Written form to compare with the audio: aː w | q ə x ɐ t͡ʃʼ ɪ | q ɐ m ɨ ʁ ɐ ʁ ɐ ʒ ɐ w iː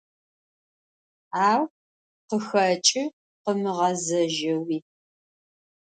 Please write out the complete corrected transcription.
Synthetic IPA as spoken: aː w | q ə x ɐ t͡ʃʼ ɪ | q ə m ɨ ʁ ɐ z ɐ ʒ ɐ w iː